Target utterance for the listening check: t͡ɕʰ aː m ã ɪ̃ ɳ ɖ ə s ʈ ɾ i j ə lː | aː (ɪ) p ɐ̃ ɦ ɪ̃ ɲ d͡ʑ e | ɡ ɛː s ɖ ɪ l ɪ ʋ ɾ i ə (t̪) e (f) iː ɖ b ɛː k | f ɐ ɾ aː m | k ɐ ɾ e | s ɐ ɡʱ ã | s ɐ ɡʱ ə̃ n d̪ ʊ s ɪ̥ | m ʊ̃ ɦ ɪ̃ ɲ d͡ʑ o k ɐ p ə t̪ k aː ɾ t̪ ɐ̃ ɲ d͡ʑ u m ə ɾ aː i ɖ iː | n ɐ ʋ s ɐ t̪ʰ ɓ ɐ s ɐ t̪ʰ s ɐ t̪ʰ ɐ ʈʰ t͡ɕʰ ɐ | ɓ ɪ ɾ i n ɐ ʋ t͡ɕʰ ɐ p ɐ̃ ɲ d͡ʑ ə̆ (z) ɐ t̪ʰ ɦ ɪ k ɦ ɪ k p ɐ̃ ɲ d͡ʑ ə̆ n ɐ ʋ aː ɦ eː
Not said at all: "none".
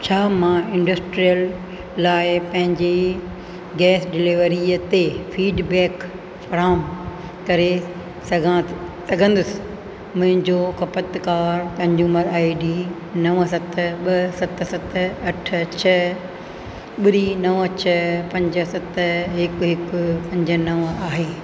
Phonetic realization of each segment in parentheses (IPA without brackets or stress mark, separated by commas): ɪ, t̪, f, s